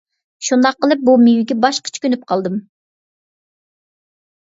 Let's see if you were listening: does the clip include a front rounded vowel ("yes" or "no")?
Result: yes